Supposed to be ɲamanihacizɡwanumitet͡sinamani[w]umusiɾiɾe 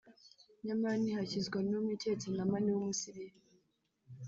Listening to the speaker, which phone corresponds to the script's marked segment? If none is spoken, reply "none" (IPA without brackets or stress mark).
w